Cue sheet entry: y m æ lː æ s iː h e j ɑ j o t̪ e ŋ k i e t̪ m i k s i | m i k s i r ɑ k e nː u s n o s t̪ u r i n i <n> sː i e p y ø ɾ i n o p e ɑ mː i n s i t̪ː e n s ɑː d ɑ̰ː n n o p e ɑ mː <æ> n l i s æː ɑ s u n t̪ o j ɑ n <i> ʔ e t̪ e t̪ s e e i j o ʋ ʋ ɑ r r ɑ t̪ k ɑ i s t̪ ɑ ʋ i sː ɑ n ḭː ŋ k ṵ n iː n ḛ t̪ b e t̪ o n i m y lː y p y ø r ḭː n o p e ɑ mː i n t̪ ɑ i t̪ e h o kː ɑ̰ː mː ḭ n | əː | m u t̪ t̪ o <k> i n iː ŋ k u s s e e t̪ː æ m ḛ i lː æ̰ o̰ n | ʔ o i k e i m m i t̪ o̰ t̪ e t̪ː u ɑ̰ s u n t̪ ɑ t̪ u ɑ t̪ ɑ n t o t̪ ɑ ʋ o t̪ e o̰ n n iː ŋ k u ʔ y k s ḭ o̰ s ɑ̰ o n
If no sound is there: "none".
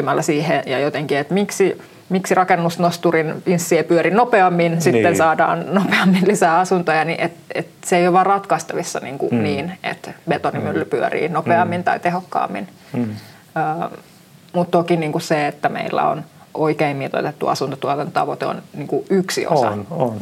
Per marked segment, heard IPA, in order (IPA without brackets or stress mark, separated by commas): n, i, i, k